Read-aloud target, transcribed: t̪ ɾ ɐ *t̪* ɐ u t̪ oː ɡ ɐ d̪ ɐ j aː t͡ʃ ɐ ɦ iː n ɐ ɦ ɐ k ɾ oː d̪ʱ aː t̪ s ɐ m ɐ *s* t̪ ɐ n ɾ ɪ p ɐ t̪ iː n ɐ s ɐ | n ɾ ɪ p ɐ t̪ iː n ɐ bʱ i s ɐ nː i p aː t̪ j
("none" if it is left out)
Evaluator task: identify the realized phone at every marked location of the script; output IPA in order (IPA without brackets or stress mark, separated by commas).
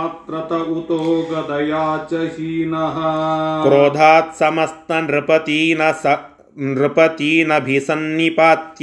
t̪, s